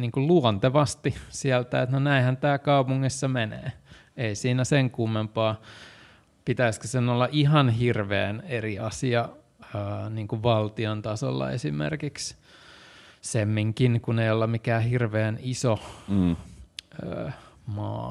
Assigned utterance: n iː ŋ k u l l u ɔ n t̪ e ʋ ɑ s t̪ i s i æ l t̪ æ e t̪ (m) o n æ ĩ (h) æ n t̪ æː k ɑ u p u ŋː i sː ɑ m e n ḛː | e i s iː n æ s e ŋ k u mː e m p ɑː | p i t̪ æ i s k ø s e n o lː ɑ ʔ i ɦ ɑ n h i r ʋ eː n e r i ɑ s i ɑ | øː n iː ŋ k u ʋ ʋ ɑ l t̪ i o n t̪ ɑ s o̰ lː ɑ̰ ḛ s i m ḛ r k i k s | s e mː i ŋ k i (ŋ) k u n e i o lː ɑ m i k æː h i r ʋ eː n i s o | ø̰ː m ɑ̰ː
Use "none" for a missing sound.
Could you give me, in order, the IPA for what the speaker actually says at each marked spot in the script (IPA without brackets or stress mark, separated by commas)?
n, h, n